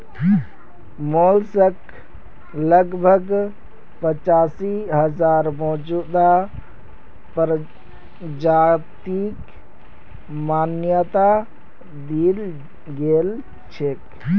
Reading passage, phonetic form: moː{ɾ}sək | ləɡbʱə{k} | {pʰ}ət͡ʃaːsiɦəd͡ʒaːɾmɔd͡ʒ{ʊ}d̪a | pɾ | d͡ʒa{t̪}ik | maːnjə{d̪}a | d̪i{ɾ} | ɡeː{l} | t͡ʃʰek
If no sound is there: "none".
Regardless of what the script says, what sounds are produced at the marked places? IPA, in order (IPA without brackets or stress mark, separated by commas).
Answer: l, ɡ, p, u, t̪, t̪, l, l